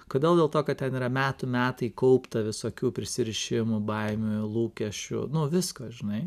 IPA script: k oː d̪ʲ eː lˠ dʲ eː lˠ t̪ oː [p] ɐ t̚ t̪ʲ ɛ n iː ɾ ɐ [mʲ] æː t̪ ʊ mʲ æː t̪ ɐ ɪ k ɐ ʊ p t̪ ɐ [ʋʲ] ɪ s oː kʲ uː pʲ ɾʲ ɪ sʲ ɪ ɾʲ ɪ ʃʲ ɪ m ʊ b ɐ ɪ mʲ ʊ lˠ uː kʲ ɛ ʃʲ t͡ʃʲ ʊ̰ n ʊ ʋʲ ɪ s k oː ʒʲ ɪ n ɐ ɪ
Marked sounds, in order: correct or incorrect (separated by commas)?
incorrect, correct, correct